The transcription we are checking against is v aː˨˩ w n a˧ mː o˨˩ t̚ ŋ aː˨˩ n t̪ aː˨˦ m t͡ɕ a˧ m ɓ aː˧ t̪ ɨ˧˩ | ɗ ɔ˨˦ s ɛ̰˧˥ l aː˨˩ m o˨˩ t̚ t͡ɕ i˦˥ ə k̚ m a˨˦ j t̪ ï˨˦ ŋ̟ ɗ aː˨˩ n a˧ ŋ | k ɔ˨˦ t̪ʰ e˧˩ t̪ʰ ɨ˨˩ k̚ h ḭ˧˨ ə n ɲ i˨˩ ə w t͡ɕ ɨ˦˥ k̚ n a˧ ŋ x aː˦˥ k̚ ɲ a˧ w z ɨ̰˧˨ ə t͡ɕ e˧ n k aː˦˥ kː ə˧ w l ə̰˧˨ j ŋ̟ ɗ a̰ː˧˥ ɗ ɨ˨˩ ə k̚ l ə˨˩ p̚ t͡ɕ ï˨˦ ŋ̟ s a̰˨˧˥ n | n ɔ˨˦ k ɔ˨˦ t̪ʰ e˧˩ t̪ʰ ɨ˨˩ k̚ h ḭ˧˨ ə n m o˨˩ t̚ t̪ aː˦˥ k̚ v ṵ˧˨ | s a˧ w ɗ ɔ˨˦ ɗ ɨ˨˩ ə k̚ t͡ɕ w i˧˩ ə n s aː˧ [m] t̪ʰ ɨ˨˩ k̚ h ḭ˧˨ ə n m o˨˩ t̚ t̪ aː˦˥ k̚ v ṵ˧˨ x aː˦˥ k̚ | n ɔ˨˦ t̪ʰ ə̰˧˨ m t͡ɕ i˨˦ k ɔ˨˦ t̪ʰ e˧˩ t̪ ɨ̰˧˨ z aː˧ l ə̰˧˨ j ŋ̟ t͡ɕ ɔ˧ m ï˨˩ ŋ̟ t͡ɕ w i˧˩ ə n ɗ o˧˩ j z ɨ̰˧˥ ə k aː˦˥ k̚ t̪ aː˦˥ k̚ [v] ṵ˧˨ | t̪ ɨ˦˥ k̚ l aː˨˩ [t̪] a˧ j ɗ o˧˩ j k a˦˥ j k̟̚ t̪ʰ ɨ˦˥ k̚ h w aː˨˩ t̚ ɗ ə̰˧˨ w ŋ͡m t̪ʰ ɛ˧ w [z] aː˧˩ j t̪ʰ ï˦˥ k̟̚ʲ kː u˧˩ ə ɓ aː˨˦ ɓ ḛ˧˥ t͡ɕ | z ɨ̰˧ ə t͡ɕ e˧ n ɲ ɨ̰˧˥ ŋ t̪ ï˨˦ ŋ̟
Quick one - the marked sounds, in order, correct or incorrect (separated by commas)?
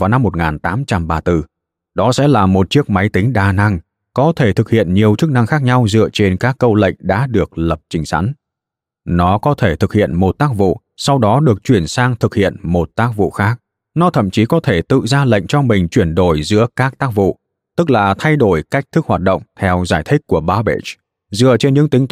incorrect, correct, incorrect, correct